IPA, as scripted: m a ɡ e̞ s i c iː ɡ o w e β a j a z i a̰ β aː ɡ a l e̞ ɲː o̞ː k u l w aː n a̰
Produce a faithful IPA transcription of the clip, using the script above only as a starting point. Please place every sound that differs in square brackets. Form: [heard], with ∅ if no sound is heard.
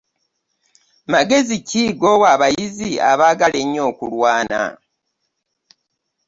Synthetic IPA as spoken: m a ɡ e̞ [z] i c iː ɡ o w [a] β a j [i] z i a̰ β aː ɡ a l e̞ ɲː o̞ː k u l w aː n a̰